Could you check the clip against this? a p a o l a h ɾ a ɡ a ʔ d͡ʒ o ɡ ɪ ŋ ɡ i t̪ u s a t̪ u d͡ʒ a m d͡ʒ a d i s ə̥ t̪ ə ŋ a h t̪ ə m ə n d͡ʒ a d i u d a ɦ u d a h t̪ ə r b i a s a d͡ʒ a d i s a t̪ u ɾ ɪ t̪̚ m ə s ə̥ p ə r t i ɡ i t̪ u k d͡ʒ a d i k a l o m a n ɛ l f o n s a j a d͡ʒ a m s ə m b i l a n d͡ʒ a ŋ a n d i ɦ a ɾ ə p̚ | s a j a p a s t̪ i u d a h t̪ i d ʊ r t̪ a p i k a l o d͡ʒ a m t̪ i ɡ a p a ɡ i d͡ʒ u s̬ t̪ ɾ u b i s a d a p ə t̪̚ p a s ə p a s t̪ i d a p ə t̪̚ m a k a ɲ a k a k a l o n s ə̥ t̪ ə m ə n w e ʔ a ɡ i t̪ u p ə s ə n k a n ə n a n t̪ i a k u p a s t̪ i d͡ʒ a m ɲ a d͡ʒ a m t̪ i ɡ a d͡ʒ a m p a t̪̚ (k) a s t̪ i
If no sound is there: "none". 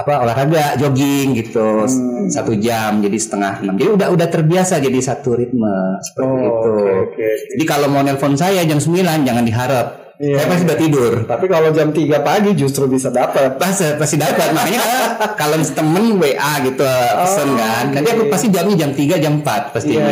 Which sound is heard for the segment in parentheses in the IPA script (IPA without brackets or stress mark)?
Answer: p